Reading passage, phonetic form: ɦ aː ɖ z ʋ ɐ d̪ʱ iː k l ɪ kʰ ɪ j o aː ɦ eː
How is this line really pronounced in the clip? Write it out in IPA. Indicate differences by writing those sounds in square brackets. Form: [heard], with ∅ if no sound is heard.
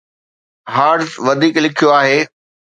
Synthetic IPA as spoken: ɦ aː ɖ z ʋ ɐ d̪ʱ iː k l ɪ kʰ [i] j o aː ɦ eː